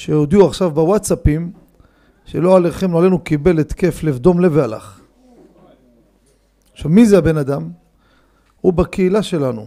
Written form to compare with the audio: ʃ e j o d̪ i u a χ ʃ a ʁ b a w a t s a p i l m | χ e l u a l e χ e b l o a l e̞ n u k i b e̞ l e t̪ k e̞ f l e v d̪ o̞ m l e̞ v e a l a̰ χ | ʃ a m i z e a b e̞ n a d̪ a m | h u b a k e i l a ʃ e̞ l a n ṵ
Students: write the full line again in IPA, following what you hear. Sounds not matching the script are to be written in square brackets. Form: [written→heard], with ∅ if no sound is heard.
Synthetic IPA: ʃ e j o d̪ i u a χ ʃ a [ʁ→v] b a w a t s a p i [l→∅] m | [χ→ʃ] e l [u→o] a l e χ e [b→m] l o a l e̞ n u k i b e̞ l e t̪ k e̞ f l e v d̪ o̞ m l e̞ v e a l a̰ χ | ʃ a m i z e a b e̞ n a d̪ a m | h u b a k e i l a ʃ e̞ l a n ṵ